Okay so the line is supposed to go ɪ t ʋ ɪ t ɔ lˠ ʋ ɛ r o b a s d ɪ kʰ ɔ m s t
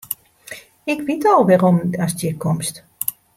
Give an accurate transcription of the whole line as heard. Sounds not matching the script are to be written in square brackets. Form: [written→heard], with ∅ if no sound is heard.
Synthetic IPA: ɪ [t→k] ʋ [ɪ→i] t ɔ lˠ ʋ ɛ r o [b→m] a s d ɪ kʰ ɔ m s t